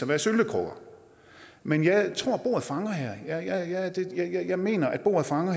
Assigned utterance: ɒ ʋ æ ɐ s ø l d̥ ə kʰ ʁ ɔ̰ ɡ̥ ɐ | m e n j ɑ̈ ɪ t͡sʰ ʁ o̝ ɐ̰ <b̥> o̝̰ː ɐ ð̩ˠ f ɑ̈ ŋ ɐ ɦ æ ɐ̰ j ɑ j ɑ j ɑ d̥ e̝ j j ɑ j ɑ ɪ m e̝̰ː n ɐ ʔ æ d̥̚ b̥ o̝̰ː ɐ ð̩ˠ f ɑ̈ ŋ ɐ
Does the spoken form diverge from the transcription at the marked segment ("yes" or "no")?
no